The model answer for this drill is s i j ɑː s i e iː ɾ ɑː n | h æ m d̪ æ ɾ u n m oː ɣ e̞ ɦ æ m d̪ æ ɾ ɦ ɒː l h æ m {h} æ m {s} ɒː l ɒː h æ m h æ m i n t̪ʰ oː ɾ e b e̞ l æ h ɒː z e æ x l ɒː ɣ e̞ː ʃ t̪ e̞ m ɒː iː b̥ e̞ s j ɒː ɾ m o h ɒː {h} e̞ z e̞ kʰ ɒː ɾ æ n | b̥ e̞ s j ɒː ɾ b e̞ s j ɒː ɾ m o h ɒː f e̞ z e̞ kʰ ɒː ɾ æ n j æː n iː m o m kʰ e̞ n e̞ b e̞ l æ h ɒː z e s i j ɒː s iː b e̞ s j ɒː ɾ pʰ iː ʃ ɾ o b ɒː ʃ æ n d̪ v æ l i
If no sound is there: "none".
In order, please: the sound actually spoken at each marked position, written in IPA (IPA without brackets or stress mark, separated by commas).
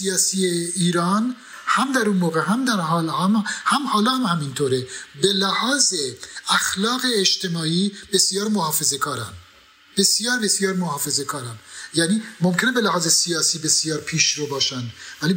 h, h, f